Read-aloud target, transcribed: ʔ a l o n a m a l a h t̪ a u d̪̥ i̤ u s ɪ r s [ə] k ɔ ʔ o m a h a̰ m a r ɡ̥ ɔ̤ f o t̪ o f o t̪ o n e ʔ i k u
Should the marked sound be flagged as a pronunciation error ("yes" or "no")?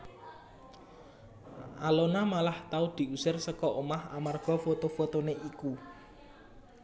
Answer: no